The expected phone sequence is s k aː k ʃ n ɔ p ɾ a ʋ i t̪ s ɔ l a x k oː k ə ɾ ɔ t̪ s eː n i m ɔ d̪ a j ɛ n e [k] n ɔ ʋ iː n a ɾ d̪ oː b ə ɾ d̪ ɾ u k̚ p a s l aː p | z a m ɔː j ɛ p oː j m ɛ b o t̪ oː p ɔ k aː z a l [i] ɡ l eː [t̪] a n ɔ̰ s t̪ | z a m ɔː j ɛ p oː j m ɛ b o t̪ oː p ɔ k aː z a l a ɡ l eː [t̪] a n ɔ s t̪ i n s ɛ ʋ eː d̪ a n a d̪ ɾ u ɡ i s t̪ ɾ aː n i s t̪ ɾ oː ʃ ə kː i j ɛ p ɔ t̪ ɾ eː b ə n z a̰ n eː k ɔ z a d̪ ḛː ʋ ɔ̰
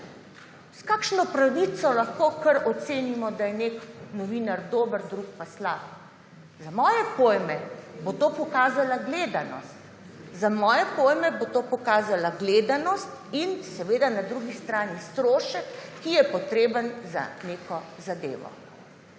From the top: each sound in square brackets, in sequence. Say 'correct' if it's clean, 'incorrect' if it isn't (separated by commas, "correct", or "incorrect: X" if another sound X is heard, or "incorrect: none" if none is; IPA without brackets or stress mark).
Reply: correct, incorrect: a, incorrect: d̪, incorrect: d̪